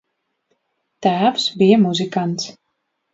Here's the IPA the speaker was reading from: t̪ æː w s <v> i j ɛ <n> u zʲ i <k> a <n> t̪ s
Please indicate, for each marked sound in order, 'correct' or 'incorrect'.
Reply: incorrect, incorrect, correct, correct

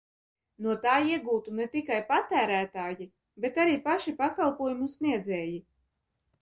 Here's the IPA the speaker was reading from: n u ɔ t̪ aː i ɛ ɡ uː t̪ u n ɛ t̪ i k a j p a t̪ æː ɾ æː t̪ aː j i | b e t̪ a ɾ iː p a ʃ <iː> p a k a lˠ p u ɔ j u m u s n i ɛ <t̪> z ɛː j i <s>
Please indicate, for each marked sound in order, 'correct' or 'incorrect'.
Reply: incorrect, incorrect, incorrect

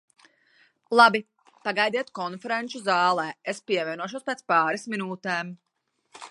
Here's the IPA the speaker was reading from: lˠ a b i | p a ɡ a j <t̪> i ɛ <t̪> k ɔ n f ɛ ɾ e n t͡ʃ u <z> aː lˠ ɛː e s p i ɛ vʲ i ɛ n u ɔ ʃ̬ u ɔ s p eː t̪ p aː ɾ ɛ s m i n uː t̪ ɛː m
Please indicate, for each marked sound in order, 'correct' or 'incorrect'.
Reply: incorrect, correct, correct

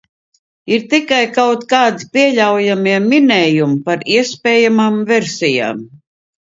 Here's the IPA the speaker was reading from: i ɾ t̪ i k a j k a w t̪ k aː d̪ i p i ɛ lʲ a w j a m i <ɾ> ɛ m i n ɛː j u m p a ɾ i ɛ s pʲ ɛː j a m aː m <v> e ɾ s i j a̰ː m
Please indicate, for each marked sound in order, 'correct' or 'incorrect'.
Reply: incorrect, correct

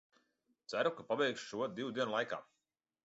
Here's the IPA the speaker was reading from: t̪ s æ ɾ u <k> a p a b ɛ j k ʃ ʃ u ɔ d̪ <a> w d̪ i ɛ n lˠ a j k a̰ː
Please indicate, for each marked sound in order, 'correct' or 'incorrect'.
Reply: correct, incorrect

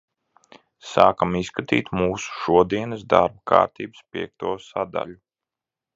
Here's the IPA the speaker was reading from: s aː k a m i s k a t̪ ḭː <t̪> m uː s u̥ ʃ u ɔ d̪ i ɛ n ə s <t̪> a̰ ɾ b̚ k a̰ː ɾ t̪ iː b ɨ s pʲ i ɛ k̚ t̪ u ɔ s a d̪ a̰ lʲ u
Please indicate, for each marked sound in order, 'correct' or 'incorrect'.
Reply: correct, incorrect

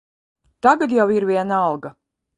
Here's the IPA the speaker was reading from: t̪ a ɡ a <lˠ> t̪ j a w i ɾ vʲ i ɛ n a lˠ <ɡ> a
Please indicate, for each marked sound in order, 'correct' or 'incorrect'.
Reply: incorrect, correct

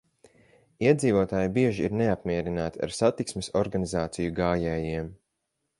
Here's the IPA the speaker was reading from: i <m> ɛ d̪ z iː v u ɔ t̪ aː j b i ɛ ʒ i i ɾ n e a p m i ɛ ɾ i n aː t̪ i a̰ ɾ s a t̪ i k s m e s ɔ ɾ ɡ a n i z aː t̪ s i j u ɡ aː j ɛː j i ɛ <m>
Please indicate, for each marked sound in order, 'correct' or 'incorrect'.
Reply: incorrect, correct

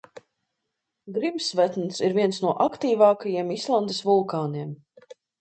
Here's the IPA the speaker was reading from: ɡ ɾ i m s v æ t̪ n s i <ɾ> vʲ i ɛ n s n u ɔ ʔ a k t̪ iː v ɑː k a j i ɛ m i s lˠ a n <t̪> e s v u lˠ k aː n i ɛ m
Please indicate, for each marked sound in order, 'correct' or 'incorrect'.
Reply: correct, incorrect

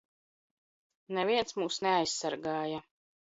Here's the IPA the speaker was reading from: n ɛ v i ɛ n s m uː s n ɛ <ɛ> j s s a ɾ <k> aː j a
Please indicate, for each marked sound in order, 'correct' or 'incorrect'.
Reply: incorrect, incorrect

